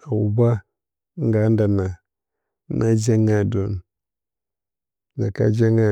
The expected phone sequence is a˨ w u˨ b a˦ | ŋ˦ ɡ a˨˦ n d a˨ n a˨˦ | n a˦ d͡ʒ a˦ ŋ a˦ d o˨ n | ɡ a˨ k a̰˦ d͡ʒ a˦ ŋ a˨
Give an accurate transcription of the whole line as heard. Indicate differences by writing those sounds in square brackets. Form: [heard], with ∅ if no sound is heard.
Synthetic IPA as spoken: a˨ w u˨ b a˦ | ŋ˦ ɡ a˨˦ n d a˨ n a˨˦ | n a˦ d͡ʒ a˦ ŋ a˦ d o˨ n | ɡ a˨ k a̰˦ d͡ʒ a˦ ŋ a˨